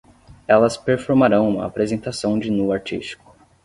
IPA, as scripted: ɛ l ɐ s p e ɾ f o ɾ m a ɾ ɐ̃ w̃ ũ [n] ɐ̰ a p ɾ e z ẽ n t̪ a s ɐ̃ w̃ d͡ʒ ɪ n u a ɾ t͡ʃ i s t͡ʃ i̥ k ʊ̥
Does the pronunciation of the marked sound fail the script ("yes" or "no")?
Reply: yes